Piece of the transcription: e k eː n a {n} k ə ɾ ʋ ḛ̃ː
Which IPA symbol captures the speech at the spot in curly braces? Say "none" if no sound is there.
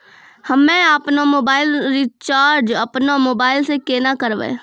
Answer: none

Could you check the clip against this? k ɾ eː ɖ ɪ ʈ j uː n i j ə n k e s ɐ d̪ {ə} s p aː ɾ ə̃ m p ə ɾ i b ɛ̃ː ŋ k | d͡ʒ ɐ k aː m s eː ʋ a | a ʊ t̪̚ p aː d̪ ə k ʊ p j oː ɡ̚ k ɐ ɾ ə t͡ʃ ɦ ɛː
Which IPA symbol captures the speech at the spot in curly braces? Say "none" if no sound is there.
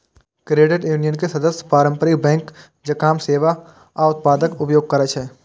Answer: ə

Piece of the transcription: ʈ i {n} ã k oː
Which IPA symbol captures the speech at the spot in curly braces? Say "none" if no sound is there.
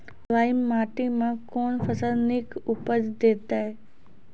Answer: m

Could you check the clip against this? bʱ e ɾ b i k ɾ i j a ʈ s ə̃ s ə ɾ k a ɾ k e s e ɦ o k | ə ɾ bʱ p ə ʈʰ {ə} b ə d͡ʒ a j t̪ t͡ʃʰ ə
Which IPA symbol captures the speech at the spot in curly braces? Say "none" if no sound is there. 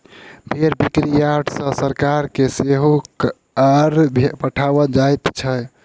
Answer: a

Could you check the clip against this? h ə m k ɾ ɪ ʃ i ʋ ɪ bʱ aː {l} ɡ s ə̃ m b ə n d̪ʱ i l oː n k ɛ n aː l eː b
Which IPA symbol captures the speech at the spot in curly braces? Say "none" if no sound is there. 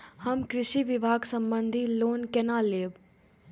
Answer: none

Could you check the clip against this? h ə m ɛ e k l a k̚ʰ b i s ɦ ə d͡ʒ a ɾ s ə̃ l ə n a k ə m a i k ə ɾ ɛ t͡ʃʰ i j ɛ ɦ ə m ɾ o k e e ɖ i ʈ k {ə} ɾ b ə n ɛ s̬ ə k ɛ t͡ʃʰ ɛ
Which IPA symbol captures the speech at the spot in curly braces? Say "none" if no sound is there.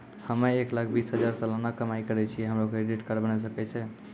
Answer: ə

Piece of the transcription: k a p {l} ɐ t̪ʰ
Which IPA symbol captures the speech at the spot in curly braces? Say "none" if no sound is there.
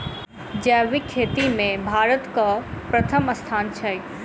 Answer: ɾ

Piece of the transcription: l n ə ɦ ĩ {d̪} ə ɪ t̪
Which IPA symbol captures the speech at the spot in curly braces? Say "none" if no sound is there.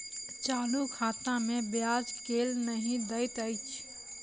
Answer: d̪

